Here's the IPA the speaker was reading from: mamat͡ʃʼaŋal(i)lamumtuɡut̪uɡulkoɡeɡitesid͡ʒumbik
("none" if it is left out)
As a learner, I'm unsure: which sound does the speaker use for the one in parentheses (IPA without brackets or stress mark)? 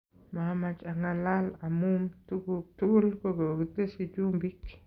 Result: a